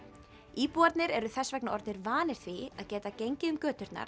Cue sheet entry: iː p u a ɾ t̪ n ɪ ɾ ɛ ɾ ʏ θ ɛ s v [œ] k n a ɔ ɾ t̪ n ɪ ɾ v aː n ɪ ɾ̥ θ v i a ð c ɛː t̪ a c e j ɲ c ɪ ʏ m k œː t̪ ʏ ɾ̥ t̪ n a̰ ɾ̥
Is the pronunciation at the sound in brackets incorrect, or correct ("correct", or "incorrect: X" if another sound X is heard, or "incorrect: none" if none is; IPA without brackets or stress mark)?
incorrect: ɛ